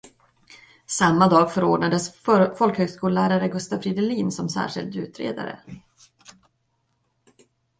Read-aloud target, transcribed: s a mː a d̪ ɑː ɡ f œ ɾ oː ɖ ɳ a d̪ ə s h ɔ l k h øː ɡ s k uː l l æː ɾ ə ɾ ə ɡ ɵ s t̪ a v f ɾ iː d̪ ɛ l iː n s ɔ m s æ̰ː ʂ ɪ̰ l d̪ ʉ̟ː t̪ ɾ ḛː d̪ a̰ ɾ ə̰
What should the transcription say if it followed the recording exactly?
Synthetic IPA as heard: s a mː a d̪ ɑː ɡ f œ ɾ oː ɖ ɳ a d̪ ə s f ɔ l k h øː ɡ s k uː l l æː ɾ a ɾ ə ɡ ɵ s t̪ a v f ɾ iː d̪ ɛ l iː n s ɔ m s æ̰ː ʂ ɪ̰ l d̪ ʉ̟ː t̪ ɾ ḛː d̪ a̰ ɾ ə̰

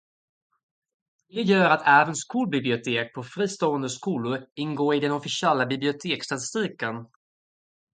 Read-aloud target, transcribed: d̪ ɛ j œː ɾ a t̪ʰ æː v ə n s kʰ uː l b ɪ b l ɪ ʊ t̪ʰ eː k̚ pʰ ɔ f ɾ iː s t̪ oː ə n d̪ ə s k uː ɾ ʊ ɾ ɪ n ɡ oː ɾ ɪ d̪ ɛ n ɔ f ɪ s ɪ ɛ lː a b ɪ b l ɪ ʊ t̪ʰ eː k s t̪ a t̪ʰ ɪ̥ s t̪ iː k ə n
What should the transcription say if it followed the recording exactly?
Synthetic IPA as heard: d̪ ɛ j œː ɾ a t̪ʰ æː v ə n s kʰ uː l b ɪ b l ɪ ʊ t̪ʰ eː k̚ pʰ ɔ f ɾ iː s t̪ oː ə n d̪ ə s k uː l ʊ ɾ ɪ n ɡ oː ɾ ɪ d̪ ɛ n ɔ f ɪ s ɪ ɛ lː a b ɪ b l ɪ ʊ t̪ʰ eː k s t̪ a t̪ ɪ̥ s t̪ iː k ə n

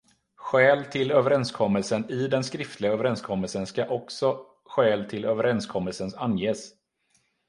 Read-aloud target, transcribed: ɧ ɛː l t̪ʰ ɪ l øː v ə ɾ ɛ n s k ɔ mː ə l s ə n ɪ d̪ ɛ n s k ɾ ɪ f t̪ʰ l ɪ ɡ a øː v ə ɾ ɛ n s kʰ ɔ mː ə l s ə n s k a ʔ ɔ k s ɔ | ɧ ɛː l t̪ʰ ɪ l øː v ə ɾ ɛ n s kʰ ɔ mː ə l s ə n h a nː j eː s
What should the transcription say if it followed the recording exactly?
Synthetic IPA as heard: ɧ ɛː l t̪ʰ ɪ l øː v ə ɾ ɛ n s kʰ ɔ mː ə l s ə n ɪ d̪ ɛ n s k ɾ ɪ f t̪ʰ l ɪ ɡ a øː v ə ɾ ɛ n s kʰ ɔ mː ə l s ə n s k a ʔ ɔ k s ɔ | ɧ ɛː l t̪ʰ ɪ l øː v ə ɾ ɛ n s kʰ ɔ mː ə l s ə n s a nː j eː s

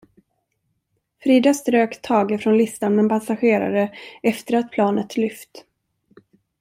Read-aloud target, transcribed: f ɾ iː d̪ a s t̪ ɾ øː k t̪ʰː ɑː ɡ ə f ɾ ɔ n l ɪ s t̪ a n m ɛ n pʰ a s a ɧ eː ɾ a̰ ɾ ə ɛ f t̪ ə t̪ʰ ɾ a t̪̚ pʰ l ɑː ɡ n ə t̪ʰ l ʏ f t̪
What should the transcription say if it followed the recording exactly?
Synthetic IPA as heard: f ɾ iː d̪ a s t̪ ɾ øː k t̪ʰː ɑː ɡ ə f ɾ ɔ n l ɪ s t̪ a n m ɛ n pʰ a s a ɧ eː ɾ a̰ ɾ ə ɛ f t̪ ə ɾ a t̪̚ pʰ l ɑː n ə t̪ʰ l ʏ f t̪

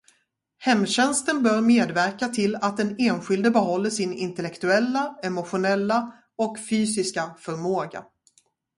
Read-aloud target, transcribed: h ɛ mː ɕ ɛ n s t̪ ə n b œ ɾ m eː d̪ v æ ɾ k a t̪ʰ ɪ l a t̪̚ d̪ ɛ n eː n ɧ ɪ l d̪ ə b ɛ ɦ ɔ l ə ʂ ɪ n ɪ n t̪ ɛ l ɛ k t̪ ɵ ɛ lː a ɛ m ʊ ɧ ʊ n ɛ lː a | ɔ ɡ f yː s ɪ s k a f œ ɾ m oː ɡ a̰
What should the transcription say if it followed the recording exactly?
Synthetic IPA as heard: h ɛ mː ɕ ɛ n s t̪ ə n b œ ɾ m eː d̪ v æ ɾ k a t̪ʰ ɪ l a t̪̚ d̪ ɛ n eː n ɧ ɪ l d̪ ə b ɛ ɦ ɔ lː ə ʂ ɪ n ɪ n t̪ ɛ l ɛ k t̪ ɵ ɛ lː a ɛ m ʊ ɧ ʊ n ɛ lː a | ɔ k f yː s ɪ s k a f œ ɾ m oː ɡ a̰

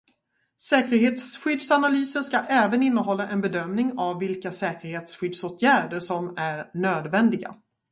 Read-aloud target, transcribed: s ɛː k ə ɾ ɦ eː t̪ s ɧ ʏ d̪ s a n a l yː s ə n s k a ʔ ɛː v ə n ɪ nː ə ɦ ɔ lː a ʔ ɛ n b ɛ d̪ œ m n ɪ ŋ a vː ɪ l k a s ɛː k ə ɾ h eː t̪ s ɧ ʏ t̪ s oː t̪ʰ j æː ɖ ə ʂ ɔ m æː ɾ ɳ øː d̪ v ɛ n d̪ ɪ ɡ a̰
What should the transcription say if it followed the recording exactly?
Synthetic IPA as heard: s ɛː k ə ɾ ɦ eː t̪ s ɧ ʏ d̪ s a n a l yː s ə n s k a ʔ ɛː v ə n ɪ nː ə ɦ ɔ lː a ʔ ɛ n b ɛ d̪ œ m n ɪ ŋ a vː ɪ l k a s ɛː k ə ɾ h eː t̪ s ɧ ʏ d̪ s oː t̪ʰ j æː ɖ ə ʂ ɔ m æ ɾ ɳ øː d̪ v ɛ n d̪ ɪ ɡ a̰

